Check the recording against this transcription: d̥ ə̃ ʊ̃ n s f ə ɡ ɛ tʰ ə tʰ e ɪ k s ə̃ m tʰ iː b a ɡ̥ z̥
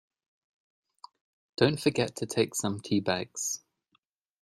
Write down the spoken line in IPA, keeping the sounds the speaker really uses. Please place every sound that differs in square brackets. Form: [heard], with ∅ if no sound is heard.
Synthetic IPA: d̥ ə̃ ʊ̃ n [t] f ə ɡ ɛ tʰ ə tʰ e ɪ k s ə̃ m tʰ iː b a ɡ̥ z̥